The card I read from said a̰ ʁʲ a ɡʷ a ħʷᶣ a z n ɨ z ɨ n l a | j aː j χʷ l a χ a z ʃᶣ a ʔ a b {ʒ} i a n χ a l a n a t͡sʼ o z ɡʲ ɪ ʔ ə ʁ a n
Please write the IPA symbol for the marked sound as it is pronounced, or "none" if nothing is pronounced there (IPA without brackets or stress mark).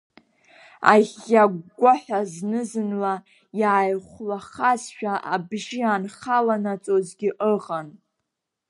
ʒ